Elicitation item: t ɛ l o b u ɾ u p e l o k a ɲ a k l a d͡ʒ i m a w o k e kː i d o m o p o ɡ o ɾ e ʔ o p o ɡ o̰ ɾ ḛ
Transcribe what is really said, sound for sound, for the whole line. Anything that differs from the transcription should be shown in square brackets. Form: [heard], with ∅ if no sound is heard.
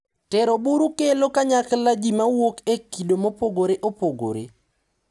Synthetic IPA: t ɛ [ɾ] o b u ɾ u [k] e l o k a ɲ a k l a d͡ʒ i m a w o k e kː i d o m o p o ɡ o ɾ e ʔ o p o ɡ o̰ ɾ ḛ